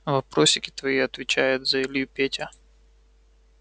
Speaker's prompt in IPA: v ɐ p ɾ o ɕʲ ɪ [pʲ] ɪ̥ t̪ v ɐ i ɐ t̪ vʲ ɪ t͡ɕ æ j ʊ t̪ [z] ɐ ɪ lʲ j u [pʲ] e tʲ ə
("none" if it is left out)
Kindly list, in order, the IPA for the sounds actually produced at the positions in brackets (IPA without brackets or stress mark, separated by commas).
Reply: kʲ, z, pʲ